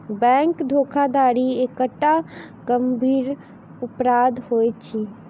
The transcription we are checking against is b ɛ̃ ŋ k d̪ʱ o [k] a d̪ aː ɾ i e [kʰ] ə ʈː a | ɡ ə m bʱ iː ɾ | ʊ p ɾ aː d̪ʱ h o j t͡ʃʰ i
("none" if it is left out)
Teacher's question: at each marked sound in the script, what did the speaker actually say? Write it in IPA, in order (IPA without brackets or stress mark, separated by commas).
kʰ, k